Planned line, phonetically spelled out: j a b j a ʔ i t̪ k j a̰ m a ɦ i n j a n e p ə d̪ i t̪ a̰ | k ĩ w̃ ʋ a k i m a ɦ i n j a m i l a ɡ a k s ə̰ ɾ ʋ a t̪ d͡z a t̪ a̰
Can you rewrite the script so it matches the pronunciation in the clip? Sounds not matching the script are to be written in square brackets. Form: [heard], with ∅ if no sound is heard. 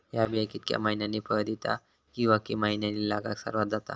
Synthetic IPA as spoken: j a b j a [k] i t̪ k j a̰ m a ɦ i n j a n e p ə d̪ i t̪ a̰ | k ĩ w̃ ʋ a k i m a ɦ i n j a [n] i l a ɡ a k s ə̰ ɾ ʋ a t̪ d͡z a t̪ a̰